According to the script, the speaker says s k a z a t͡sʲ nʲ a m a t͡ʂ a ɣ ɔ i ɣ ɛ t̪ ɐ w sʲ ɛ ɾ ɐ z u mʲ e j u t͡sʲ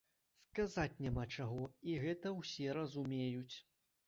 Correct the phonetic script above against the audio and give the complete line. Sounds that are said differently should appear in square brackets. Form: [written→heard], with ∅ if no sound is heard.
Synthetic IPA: s k a z a t͡sʲ nʲ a m a t͡ʂ a ɣ ɔ i ɣ ɛ t̪ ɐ w sʲ ɛ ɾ ɐ z u mʲ e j u t͡sʲ